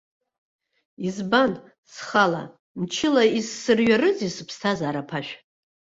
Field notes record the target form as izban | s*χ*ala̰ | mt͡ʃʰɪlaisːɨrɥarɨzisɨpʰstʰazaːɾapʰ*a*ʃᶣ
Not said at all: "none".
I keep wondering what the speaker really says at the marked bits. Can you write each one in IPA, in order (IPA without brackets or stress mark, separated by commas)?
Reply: χ, a